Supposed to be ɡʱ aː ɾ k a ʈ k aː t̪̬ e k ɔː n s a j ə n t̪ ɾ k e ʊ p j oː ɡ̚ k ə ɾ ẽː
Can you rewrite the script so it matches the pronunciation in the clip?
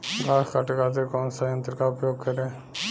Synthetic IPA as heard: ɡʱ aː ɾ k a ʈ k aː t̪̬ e k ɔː n s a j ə n t̪ ɾ k a ʊ p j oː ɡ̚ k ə ɾ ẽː